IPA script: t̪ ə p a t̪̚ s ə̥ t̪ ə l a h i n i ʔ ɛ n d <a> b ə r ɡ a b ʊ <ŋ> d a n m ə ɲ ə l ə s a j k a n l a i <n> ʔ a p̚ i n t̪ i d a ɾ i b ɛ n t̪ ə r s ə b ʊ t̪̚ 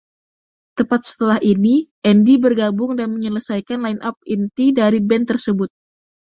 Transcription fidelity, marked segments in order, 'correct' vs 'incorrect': incorrect: i, correct, correct

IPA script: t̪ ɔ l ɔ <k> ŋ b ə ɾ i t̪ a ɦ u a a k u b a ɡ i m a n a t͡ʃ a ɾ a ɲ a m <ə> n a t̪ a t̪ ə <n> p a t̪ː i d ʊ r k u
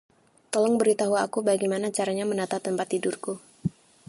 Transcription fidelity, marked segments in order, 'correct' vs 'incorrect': incorrect: none, correct, incorrect: m

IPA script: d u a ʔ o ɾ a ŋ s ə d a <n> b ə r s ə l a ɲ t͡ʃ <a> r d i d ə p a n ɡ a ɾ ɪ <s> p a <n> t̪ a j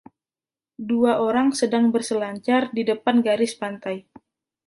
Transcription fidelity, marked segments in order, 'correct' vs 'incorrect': incorrect: ŋ, correct, correct, correct

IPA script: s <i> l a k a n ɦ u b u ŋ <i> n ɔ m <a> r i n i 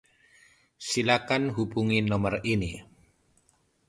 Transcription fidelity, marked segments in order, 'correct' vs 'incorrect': correct, correct, incorrect: ə

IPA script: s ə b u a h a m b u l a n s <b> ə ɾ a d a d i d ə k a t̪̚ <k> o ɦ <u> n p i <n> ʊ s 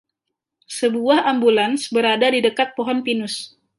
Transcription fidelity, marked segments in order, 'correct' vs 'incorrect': correct, incorrect: p, incorrect: ɔ, correct

